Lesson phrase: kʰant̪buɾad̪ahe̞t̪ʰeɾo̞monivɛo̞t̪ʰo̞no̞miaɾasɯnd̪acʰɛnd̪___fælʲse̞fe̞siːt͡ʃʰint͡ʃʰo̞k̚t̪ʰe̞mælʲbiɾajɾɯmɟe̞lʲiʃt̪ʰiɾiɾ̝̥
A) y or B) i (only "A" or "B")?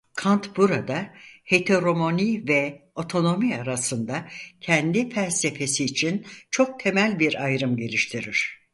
B